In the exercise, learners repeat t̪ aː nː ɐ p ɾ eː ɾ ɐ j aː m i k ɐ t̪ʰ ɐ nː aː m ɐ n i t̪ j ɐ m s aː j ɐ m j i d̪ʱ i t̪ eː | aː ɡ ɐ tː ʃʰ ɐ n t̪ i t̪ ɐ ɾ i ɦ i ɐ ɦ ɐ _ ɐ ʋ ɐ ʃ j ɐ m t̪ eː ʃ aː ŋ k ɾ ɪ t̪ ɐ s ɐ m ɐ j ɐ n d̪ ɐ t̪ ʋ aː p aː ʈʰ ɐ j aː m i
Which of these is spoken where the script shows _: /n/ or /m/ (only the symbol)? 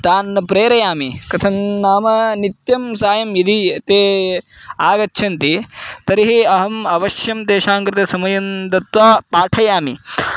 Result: m